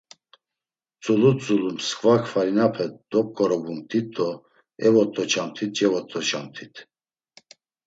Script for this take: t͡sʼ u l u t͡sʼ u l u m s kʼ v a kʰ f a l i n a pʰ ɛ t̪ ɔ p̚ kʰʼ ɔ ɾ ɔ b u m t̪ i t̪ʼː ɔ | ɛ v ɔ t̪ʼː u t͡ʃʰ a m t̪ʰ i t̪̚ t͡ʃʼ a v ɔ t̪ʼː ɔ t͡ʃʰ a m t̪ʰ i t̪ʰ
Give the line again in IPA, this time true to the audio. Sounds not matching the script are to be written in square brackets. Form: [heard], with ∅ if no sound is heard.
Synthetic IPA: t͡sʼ u l u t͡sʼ u l u m s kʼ v a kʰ f a [ɾ] i n a pʰ ɛ [d̪] ɔ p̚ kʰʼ ɔ ɾ ɔ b u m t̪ i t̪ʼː ɔ | ɛ v ɔ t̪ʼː [ɔ] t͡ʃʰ a m t̪ʰ i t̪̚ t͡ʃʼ [ɛ] v ɔ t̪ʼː ɔ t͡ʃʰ a m t̪ʰ i t̪ʰ